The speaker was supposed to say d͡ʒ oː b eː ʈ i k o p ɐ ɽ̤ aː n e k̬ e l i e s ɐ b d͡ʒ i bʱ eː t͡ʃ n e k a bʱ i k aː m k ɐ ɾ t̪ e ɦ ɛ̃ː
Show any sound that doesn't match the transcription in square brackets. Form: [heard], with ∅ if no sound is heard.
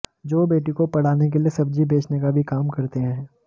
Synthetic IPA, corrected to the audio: d͡ʒ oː b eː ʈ i k o p ɐ ɽ̤ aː n e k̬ e l i e s ɐ b d͡ʒ i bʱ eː t͡ʃ n e k a bʱ i k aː m k ɐ ɾ t̪ e ɦ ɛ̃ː